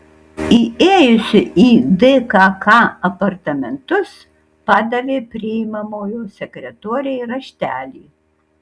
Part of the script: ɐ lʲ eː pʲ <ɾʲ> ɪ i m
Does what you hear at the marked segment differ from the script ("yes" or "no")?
no